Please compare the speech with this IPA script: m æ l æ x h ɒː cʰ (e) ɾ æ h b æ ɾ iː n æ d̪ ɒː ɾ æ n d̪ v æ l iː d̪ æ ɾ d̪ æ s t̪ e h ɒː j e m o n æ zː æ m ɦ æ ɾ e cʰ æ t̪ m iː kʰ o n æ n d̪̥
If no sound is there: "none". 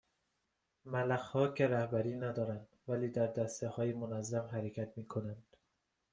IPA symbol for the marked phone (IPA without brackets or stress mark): e